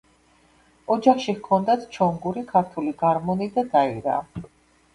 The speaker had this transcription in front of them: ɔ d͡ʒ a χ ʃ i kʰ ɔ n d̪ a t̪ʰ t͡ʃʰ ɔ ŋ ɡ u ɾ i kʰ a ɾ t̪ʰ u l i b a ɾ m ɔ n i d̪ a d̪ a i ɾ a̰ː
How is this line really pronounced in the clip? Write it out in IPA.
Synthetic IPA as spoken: ɔ d͡ʒ a χ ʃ i kʰ ɔ n d̪ a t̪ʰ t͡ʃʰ ɔ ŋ ɡ u ɾ i kʰ a ɾ t̪ʰ u l i ɡ a ɾ m ɔ n i d̪ a d̪ a i ɾ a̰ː

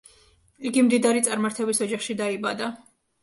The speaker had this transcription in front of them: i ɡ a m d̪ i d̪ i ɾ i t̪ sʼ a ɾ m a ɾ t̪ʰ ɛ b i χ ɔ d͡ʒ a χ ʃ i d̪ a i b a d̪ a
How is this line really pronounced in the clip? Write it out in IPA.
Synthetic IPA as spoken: i ɡ i m d̪ i d̪ a ɾ i t̪ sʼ a ɾ m a ɾ t̪ʰ ɛ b i s ɔ d͡ʒ a χ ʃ i d̪ a i b a d̪ a

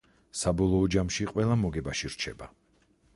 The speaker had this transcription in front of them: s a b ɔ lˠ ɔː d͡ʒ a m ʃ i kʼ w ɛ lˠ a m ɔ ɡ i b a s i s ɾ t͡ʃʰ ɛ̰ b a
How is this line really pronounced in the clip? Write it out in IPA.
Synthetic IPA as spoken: s a b ɔ lˠ ɔː d͡ʒ a m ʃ i qʼ w ɛ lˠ a m ɔ ɡ ɛ b a ʃ i ɾ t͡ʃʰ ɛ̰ b a

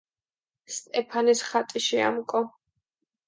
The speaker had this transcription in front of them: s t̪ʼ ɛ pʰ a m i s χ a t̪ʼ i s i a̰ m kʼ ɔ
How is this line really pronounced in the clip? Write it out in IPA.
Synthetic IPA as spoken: s t̪ʼ ɛ pʰ a n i s χ a t̪ʼ i ʃ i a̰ m kʼ ɔ

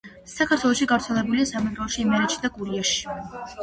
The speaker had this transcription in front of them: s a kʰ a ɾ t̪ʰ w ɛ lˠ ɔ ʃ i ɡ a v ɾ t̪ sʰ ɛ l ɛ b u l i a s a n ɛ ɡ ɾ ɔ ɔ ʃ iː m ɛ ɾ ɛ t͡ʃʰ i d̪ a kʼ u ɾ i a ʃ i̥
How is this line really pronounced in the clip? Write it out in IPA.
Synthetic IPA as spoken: s a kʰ a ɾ t̪ʰ w ɛ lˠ ɔ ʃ i ɡ a v ɾ t̪ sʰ ɛ l ɛ b u l i a s a m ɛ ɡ ɾ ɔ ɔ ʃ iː m ɛ ɾ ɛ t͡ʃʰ i d̪ a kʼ u ɾ i a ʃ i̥

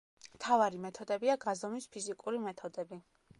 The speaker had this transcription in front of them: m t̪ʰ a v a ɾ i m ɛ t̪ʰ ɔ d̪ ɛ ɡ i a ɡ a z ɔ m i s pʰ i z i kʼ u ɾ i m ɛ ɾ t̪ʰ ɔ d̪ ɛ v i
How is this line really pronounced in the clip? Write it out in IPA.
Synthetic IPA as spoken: m t̪ʰ a v a ɾ i m ɛ t̪ʰ ɔ d̪ ɛ b i a ɡ a z ɔ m i s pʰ i z i kʼ u ɾ i m ɛ t̪ʰ ɔ d̪ ɛ b i

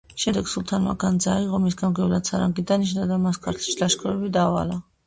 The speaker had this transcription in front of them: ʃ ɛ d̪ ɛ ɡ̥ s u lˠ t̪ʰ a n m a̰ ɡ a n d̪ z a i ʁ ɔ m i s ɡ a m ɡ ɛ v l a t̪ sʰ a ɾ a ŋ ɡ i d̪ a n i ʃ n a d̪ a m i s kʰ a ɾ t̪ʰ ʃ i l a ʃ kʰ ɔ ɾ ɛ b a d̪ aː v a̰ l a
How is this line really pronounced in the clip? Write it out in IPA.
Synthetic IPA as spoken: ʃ ɛ d̪ ɛ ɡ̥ s u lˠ t̪ʰ a n m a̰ ɡ a n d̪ z a i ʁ ɔ m i s ɡ a m ɡ ɛ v l a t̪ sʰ a ɾ a ŋ ɡ i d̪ a n i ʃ n a d̪ a m a s kʰ a ɾ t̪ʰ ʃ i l a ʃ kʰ ɔ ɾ ɛ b i d̪ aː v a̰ l a

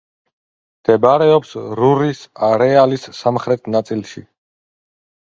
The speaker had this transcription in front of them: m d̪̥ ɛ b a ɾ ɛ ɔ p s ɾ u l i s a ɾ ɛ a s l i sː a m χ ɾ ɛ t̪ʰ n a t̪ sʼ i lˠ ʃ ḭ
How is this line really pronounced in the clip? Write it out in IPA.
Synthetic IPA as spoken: m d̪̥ ɛ b a ɾ ɛ ɔ p s ɾ u ɾ i s a ɾ ɛ a l i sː a m χ ɾ ɛ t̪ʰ n a t̪ sʼ i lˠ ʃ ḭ

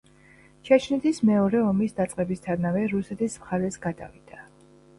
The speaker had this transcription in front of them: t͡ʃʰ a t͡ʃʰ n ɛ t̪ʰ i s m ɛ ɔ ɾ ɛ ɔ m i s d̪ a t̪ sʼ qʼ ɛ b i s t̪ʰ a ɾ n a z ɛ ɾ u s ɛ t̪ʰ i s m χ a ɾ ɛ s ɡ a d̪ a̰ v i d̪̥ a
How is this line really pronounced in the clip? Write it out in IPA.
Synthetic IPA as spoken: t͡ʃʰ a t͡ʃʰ n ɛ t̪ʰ i s m ɛ ɔ ɾ ɛ ɔ m i s d̪ a t̪ sʼ qʼ ɛ b i s t̪ʰ a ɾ n a v ɛ ɾ u s ɛ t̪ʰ i s m χ a ɾ ɛ s ɡ a d̪ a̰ v i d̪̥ a

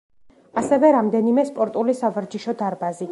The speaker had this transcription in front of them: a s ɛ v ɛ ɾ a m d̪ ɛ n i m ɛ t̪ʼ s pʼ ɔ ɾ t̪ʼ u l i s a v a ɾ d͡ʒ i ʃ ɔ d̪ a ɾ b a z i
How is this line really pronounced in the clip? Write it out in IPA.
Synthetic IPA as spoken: a s ɛ v ɛ ɾ a m d̪ ɛ n i m ɛ s pʼ ɔ ɾ t̪ʼ u l i s a v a ɾ d͡ʒ i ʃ ɔ d̪ a ɾ b a z i

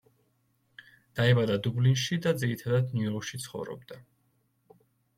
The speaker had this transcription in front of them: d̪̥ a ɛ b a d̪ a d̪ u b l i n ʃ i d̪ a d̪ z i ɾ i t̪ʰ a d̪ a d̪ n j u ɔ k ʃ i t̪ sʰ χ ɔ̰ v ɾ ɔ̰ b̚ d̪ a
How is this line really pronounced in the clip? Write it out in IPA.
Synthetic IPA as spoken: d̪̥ a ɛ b a d̪ a d̪ u b l i n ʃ i d̪ a d̪ z i ɾ i t̪ʰ a d̪ a d̪ n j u ɔ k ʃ i t̪ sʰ χ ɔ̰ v ɾ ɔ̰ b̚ d̪ a

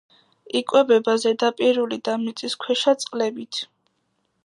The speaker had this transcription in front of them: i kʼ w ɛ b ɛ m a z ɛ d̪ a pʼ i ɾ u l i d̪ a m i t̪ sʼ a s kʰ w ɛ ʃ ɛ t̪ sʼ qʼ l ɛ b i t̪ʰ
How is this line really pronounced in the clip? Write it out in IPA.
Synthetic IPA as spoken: i kʼ w ɛ b ɛ b a z ɛ d̪ a pʼ i ɾ u l i d̪ a m i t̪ sʼ i s kʰ w ɛ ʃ a t̪ sʼ qʼ l ɛ b i t̪ʰ

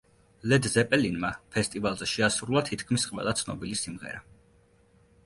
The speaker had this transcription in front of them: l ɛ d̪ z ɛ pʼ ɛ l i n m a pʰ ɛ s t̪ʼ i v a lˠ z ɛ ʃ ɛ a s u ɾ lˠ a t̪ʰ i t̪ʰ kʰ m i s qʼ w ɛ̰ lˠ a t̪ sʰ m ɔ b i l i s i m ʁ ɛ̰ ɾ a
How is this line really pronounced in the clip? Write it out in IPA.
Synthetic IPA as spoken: l ɛ d̪ z ɛ pʼ ɛ l i n m a pʰ ɛ s t̪ʼ i v a lˠ z ɛ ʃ ɛ a s u ɾ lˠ a t̪ʰ i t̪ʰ kʰ m i s qʼ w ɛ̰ lˠ a t̪ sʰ n ɔ b i l i s i m ʁ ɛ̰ ɾ a

